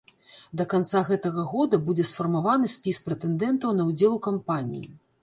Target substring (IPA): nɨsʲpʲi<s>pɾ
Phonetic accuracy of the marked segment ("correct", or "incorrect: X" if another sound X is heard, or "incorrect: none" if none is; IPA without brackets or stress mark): correct